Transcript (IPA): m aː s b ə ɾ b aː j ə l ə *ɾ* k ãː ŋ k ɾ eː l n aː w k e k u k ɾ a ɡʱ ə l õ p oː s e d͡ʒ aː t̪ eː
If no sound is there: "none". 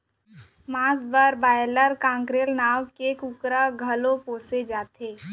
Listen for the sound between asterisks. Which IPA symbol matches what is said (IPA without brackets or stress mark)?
ɾ